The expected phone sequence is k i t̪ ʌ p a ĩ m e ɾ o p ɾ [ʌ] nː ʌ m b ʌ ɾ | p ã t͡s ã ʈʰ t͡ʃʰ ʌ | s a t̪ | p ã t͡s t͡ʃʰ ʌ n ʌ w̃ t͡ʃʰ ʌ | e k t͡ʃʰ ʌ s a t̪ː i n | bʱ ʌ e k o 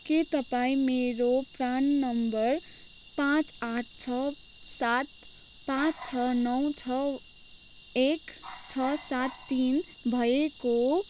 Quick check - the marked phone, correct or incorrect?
incorrect